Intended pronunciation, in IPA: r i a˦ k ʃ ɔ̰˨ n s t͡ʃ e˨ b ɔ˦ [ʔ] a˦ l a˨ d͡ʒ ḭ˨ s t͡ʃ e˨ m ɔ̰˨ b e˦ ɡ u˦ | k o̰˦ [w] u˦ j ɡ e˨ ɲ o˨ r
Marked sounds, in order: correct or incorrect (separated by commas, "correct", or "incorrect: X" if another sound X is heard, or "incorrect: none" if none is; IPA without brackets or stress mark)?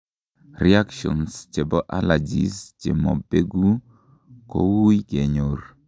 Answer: correct, correct